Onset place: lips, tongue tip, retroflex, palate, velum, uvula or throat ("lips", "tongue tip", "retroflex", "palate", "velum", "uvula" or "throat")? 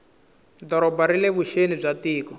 tongue tip